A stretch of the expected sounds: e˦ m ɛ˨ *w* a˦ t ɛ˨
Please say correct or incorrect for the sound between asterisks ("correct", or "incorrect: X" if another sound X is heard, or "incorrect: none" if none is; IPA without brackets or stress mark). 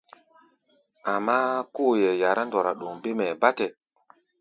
incorrect: b